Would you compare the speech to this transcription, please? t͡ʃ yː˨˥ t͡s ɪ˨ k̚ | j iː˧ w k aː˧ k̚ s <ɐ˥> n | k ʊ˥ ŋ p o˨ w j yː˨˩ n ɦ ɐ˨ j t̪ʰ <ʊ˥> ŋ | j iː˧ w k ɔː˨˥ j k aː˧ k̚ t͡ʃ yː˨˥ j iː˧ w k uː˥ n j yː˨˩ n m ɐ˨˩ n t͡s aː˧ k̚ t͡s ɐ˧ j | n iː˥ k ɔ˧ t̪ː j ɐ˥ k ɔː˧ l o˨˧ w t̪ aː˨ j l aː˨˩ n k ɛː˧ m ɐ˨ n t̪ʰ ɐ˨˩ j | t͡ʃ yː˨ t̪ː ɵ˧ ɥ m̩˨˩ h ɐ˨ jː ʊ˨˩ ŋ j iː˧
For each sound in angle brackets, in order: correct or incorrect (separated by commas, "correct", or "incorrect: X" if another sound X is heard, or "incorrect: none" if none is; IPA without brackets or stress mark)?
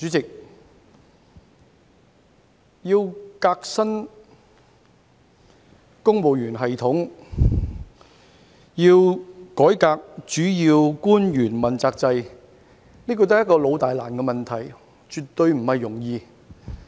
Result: correct, incorrect: ʊ˨˥